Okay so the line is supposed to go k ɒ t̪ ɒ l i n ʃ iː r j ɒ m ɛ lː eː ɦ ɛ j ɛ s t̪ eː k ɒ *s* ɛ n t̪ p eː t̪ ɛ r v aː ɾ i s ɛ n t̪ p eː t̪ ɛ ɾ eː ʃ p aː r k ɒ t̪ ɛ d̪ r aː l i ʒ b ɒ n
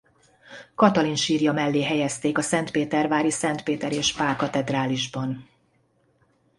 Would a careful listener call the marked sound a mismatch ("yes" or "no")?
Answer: no